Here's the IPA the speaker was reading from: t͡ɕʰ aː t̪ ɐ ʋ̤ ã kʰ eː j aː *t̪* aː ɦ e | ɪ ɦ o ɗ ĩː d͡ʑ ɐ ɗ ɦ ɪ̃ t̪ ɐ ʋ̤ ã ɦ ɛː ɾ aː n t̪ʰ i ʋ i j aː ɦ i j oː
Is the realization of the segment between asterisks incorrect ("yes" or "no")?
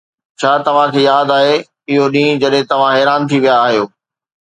yes